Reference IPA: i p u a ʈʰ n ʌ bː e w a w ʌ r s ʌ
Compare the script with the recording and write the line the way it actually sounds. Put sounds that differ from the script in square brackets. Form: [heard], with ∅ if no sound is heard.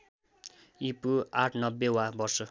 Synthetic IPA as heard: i p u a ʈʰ n ʌ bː e w a [b] ʌ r s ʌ